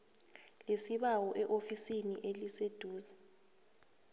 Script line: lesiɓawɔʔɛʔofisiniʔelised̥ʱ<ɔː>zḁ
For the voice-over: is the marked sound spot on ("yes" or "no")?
no